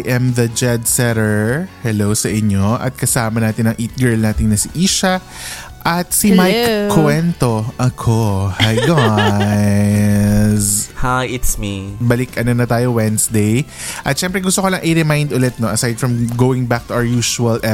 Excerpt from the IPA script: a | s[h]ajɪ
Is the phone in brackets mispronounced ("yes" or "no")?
no